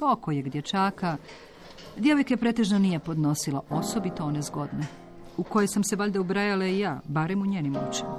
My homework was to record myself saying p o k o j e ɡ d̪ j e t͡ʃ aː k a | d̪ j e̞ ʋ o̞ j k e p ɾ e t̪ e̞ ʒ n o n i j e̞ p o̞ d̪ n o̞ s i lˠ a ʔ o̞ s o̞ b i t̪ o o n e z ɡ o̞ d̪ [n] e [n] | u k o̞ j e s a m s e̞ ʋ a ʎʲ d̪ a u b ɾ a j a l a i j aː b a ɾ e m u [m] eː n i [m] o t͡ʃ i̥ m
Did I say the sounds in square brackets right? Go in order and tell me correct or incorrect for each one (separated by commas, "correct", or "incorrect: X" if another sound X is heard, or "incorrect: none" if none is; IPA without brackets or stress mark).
correct, incorrect: none, incorrect: ɲ, correct